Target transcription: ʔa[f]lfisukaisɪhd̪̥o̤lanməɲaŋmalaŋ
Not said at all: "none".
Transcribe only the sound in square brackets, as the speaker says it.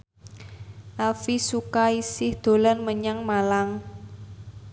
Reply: none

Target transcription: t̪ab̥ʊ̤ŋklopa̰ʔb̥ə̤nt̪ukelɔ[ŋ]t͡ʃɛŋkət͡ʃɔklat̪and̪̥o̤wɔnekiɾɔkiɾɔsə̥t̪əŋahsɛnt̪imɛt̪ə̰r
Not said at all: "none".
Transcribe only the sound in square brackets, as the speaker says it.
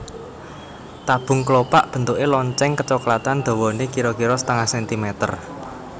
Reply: ɲ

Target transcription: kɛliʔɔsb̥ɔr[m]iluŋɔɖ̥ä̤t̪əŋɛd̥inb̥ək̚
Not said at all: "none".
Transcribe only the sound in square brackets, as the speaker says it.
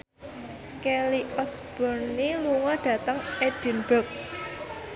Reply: n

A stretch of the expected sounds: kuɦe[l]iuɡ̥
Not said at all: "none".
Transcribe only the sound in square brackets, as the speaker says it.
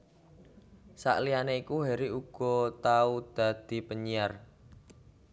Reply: ɾ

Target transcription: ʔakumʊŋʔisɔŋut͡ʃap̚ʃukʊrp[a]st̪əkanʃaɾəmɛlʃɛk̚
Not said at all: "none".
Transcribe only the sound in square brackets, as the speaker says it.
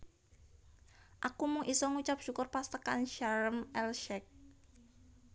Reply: a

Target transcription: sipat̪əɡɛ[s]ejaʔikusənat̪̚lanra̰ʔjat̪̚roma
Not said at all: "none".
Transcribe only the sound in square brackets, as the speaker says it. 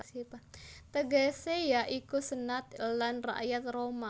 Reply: s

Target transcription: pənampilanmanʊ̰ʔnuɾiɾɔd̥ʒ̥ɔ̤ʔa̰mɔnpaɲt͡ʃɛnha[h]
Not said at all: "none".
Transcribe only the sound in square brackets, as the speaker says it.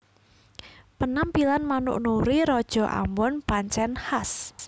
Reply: s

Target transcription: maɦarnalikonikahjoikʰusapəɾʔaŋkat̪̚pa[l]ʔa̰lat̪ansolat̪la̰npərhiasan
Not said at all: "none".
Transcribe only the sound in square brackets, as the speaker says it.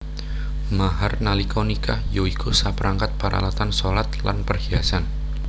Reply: ɾ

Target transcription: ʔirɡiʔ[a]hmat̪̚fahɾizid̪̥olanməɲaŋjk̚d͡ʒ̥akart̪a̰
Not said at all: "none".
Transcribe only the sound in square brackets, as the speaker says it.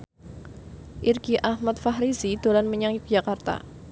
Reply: a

